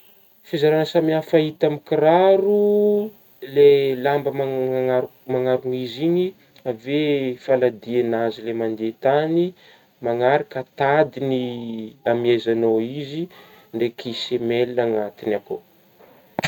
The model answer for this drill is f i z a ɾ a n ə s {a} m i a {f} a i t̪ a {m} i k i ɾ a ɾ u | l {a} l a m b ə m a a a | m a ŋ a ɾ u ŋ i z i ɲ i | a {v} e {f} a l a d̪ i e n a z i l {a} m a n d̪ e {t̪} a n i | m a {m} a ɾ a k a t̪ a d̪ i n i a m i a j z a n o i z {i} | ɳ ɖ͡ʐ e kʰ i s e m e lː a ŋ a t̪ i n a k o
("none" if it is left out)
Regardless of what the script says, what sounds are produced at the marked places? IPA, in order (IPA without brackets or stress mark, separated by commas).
a, f, m, e, v, f, e, t̪, ŋ, i